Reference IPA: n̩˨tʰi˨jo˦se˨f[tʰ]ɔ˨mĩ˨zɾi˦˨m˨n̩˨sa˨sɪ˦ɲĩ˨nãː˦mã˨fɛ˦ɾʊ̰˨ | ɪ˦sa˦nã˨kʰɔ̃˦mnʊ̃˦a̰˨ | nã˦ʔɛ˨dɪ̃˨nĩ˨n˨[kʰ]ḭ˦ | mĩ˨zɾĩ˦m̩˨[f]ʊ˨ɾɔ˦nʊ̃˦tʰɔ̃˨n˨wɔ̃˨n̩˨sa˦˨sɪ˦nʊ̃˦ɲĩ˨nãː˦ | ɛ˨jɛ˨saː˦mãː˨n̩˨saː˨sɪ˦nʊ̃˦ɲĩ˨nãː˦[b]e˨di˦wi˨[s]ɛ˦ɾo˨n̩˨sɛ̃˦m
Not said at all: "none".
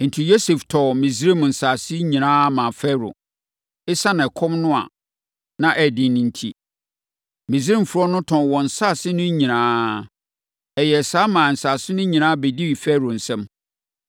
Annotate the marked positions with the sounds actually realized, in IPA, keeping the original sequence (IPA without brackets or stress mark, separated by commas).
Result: tʰ, tʰ, f, b, f